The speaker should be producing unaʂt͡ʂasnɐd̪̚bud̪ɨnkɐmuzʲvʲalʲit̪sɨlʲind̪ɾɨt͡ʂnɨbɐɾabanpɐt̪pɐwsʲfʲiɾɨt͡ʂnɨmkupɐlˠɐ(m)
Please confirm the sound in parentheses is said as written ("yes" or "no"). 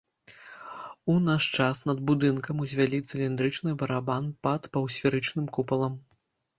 yes